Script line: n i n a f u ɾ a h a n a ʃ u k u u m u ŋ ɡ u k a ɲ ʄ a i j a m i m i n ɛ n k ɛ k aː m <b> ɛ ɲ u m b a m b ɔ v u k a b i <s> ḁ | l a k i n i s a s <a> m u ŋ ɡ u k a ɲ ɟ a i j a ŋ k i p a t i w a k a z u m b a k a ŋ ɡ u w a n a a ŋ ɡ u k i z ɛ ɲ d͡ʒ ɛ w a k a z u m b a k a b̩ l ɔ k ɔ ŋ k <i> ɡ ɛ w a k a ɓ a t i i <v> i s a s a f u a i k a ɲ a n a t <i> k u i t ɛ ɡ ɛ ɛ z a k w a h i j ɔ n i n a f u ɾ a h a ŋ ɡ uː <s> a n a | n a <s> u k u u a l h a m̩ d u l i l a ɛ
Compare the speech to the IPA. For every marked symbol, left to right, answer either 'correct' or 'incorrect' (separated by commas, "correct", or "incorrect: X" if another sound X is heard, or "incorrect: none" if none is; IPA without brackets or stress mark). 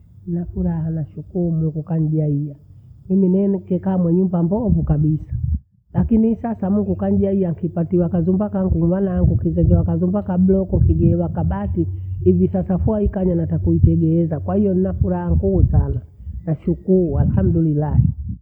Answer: incorrect: w, correct, correct, correct, correct, incorrect: a, correct, incorrect: ʃ